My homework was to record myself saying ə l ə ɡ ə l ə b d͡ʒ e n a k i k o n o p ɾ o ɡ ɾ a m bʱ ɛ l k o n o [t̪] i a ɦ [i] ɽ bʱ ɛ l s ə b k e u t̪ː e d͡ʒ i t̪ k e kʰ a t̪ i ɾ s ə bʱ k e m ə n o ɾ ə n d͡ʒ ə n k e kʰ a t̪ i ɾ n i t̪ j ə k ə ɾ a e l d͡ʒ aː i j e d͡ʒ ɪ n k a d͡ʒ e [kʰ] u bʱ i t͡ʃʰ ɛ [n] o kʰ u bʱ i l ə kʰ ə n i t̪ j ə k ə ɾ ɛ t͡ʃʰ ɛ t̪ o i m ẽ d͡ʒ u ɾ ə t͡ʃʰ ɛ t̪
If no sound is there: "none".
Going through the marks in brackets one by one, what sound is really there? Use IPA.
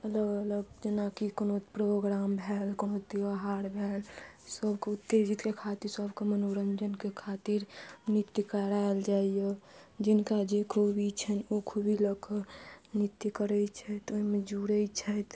t̪, a, kʰ, n

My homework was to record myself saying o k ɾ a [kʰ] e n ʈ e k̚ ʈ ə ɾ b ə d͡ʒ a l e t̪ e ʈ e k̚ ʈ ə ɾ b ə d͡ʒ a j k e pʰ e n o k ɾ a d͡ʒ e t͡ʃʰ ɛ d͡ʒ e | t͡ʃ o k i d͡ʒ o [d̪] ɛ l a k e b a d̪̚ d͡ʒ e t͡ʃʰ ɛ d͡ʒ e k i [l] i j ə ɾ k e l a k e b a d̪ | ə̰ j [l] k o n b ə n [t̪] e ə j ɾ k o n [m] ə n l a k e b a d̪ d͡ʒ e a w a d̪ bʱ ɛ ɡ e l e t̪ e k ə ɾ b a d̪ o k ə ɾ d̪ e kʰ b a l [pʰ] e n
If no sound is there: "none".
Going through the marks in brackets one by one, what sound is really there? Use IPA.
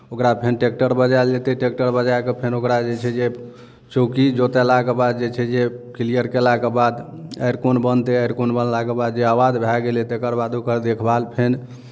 pʰ, t̪, l, ɾ, t̪, b, pʰ

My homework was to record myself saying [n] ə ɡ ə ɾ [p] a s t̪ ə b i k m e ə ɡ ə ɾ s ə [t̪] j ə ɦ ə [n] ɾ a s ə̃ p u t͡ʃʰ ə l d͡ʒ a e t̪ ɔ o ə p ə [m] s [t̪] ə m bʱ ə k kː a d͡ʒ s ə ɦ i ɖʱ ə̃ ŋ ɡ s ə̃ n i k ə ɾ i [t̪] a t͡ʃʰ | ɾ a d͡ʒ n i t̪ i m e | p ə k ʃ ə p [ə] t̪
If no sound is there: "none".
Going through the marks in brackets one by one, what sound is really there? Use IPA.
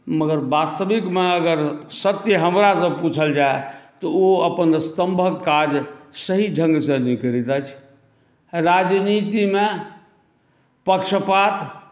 m, b, t̪, m, n, t̪, t̪, a

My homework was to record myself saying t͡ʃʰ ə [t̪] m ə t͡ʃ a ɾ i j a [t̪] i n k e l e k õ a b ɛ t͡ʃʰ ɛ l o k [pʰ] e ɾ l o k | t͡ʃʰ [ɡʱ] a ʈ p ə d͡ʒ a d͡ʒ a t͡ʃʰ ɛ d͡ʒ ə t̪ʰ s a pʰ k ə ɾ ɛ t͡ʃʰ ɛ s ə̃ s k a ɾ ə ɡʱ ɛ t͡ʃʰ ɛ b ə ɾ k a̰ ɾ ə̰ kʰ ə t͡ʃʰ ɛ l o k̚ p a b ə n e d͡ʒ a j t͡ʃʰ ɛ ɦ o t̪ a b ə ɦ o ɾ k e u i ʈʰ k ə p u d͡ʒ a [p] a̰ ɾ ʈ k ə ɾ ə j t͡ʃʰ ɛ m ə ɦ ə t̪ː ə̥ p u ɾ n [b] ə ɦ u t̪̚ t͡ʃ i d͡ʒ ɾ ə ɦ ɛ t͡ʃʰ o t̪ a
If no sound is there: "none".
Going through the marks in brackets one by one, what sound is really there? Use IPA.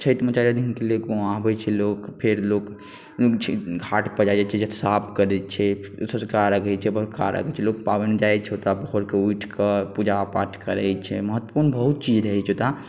t̪, d̪, pʰ, ɡʱ, p, b

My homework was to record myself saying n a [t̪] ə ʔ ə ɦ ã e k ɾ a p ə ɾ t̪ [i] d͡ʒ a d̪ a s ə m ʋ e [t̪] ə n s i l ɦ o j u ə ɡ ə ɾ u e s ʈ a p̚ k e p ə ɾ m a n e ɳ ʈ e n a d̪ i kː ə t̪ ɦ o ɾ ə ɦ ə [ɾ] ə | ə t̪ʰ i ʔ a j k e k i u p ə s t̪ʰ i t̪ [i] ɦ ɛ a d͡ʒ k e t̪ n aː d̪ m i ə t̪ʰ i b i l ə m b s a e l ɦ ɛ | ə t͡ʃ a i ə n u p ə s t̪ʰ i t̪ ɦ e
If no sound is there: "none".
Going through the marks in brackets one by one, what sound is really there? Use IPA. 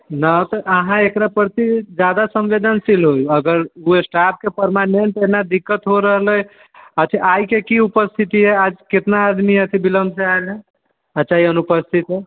t̪, i, d̪, l, i

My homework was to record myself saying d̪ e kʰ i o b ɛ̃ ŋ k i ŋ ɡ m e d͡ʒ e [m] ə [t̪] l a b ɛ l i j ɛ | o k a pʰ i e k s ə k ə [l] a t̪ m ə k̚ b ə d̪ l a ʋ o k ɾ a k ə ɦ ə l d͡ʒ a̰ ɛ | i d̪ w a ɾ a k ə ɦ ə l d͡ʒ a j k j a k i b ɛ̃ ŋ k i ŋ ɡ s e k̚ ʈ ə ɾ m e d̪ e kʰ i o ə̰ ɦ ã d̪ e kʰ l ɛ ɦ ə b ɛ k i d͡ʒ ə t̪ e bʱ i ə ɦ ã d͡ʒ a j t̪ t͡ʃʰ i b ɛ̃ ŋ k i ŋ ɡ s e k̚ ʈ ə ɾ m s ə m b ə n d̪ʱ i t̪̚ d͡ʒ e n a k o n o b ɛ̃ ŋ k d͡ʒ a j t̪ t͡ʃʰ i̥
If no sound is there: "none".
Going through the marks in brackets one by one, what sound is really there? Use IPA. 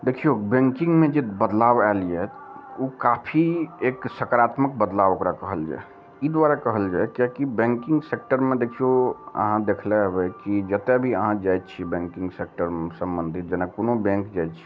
b, d̪, ɾ

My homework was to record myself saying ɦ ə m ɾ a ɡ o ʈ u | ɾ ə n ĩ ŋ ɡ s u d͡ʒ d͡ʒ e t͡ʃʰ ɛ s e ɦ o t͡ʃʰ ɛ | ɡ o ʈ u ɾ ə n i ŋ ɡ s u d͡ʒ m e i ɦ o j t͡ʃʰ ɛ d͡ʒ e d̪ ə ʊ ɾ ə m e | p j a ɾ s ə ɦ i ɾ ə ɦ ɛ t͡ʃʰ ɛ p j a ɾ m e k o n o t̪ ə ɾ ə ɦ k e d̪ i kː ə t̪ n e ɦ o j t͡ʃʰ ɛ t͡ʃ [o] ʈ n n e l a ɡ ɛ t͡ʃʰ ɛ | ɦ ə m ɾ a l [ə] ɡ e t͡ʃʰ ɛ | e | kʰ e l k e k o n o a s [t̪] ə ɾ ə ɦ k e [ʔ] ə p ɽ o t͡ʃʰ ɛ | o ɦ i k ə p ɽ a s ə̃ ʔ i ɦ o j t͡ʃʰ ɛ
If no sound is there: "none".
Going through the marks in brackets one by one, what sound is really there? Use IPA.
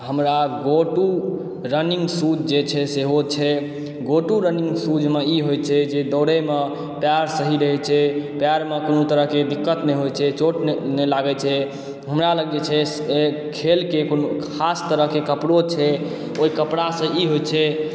o, ə, t̪, k

